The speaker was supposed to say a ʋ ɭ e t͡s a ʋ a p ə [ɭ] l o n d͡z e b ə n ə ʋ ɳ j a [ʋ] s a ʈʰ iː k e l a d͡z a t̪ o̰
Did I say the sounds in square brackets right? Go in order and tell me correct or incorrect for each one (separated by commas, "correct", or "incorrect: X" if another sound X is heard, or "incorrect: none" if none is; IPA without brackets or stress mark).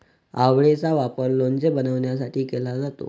incorrect: ɾ, incorrect: none